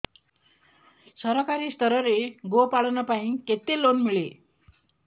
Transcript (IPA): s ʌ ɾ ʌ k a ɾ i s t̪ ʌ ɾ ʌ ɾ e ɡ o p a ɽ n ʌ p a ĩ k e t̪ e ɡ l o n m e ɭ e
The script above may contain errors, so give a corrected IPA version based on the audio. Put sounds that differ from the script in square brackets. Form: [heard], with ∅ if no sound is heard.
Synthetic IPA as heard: s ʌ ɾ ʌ k a ɾ i s t̪ ʌ ɾ ʌ ɾ e ɡ o p a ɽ n ʌ p a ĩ k e t̪ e [∅] l o n m [i] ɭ e